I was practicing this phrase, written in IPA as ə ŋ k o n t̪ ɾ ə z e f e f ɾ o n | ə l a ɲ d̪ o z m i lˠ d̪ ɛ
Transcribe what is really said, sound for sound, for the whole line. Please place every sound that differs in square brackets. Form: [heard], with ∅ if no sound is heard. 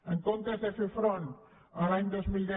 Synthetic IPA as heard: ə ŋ k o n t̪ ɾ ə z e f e f ɾ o n | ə l a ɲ d̪ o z m i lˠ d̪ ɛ